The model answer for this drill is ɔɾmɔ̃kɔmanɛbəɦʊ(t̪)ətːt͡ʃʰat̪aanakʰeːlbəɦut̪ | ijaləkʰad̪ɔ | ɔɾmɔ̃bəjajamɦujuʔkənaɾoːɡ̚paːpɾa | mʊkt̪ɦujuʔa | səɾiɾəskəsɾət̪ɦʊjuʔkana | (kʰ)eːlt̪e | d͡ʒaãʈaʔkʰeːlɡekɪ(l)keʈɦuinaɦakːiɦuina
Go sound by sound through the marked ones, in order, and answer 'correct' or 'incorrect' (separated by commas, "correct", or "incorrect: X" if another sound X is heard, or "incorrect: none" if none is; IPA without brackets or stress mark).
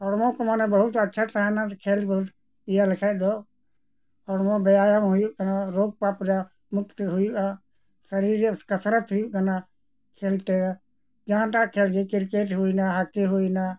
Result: correct, correct, incorrect: ɾ